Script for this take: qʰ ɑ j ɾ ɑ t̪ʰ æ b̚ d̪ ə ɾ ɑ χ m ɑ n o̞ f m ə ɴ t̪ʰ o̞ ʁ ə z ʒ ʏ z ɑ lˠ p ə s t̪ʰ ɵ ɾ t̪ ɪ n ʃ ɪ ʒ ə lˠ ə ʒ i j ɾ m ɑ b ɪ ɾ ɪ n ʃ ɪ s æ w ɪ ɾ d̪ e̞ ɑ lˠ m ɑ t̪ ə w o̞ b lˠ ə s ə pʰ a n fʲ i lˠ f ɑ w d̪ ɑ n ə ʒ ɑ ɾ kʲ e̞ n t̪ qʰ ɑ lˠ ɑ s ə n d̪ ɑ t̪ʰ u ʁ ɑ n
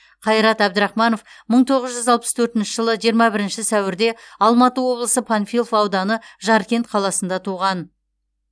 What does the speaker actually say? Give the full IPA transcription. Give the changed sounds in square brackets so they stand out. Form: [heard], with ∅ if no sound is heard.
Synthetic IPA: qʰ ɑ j ɾ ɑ [t̪] æ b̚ d̪ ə ɾ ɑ χ m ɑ n o̞ f m ə ɴ t̪ʰ o̞ ʁ ə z ʒ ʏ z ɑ lˠ p ə s t̪ʰ ɵ ɾ t̪ ɪ n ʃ ɪ ʒ ə lˠ ə ʒ i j ɾ m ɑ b ɪ ɾ ɪ n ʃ ɪ s æ w ɪ ɾ d̪ e̞ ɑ lˠ m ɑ t̪ ə w o̞ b lˠ ə s ə pʰ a n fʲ i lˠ f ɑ w d̪ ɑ n ə ʒ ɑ ɾ kʲ e̞ n t̪ qʰ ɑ lˠ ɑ s ə n d̪ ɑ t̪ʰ u ʁ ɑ n